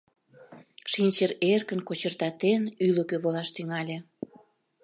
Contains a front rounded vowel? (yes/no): yes